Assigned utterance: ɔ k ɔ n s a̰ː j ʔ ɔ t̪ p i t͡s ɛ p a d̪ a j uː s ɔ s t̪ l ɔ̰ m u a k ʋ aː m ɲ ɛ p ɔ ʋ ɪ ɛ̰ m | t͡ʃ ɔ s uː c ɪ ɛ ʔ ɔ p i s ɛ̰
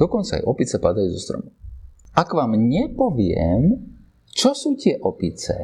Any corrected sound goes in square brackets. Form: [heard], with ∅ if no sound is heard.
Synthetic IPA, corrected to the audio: ɔ k ɔ n [t͡s] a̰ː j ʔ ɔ [∅] p i t͡s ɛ p a d̪ a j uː [z] ɔ s t̪ [ɾ] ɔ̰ m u a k ʋ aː m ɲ ɛ p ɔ ʋ ɪ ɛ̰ m | t͡ʃ ɔ s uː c ɪ ɛ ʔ ɔ p i [t͡s] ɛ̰